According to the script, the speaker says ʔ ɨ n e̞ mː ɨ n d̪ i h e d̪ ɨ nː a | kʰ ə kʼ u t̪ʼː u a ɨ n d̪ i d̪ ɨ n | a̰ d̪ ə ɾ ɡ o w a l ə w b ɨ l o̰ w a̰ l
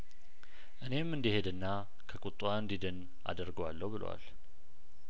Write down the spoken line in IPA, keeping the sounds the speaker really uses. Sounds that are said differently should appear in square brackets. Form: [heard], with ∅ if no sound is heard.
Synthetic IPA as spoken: ʔ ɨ n e̞ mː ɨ n d̪ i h e d̪ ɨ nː a | kʰ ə kʼ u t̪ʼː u a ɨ n d̪ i d̪ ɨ n | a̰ d̪ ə ɾ ɡ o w a [lː] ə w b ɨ l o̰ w a̰ l